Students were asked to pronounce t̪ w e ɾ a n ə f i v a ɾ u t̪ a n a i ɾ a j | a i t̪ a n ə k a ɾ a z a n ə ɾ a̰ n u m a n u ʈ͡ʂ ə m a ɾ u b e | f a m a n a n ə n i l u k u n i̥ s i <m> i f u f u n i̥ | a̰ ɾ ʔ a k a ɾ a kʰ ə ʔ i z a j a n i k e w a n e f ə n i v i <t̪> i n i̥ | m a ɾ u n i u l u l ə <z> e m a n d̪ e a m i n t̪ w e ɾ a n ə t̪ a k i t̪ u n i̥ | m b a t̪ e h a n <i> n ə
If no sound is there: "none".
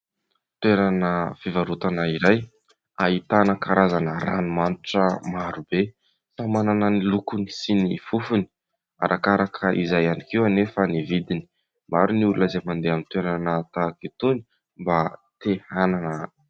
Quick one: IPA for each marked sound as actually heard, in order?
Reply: n, d̪, z, a

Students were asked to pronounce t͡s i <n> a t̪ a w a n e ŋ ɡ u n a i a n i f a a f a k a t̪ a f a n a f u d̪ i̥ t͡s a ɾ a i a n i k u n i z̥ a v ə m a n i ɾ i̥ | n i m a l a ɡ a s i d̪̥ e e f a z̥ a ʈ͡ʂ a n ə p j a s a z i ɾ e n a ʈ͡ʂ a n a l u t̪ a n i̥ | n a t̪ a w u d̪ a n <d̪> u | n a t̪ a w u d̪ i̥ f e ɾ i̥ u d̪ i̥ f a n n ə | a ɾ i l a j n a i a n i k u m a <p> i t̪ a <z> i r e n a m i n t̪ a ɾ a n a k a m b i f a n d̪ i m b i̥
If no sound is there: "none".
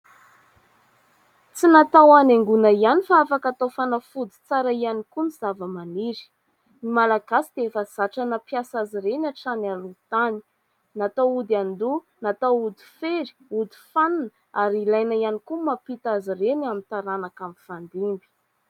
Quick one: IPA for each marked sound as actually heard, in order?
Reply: n, d̪, p, z

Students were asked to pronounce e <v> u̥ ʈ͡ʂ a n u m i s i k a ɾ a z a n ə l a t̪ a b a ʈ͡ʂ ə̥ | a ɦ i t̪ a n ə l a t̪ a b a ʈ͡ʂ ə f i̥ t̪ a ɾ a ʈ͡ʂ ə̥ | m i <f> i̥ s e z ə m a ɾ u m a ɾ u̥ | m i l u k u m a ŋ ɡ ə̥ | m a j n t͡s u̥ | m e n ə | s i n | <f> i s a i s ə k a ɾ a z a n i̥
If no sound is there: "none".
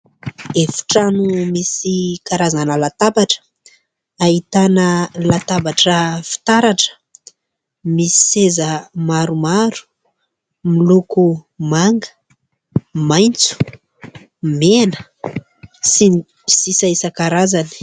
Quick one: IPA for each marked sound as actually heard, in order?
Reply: f, s, s

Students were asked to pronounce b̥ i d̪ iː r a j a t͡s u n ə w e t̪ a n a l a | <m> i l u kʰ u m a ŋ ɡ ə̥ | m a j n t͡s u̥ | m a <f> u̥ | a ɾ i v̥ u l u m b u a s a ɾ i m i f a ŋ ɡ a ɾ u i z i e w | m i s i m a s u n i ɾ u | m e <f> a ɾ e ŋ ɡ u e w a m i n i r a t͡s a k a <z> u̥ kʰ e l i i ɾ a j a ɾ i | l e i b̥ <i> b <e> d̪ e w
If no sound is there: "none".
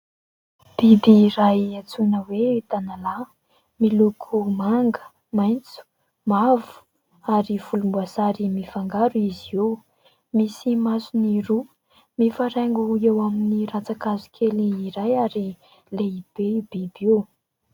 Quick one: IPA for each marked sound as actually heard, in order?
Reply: m, v, f, z, e, i

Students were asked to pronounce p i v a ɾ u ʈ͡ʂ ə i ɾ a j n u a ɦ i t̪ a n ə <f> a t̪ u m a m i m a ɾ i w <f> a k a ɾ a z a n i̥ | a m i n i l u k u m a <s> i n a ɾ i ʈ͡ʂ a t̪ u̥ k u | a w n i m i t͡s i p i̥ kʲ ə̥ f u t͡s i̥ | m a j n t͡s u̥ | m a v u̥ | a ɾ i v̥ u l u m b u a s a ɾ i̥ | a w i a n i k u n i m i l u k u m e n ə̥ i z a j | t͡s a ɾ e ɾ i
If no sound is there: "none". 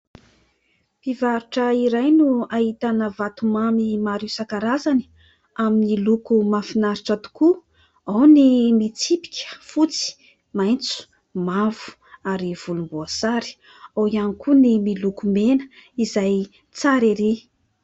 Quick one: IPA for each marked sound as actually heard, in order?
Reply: v, s, f

